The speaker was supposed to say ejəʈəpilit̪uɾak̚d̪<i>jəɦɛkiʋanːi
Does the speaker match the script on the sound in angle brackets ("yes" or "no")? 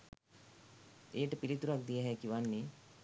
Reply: yes